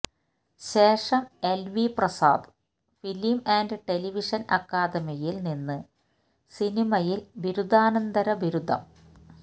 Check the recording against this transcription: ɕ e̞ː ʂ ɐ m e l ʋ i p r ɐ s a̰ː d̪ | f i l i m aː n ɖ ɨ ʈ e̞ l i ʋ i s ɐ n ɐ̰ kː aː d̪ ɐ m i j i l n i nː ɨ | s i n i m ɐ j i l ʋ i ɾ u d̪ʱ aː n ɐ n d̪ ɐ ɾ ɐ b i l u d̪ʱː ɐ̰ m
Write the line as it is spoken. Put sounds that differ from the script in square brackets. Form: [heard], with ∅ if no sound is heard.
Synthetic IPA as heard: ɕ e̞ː ʂ ɐ m e l ʋ i p r ɐ s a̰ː d̪ | f i l i m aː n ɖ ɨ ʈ e̞ l i ʋ i [ʂ] ɐ n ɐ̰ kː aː d̪ ɐ m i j i l n i nː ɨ | s i n i m ɐ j i l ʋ i ɾ u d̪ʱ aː n ɐ n d̪ ɐ ɾ ɐ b i [ɾ] u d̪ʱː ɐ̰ m